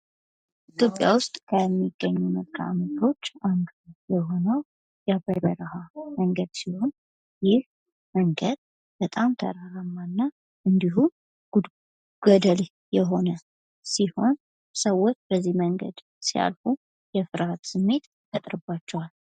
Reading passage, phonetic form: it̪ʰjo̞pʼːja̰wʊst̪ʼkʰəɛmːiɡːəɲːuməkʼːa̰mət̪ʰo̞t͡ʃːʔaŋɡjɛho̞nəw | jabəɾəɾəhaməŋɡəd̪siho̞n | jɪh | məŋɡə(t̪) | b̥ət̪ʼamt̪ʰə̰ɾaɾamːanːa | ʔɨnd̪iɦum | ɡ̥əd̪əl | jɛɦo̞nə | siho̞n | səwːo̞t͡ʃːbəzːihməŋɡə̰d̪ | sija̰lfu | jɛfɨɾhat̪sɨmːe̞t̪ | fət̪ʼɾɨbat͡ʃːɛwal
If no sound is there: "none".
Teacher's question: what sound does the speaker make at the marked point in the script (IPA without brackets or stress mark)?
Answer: d̪